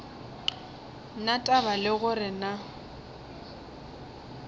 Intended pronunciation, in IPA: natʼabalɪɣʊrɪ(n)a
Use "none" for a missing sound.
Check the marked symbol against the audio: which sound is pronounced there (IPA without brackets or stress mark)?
n